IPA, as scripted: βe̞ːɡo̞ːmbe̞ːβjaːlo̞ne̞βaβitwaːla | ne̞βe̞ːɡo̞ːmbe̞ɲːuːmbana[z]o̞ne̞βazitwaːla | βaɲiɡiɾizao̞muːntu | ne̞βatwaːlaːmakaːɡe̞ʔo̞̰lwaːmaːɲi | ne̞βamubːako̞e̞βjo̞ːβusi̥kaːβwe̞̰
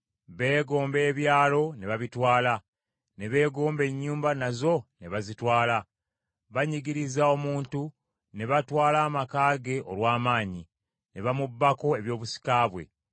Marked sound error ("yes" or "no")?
no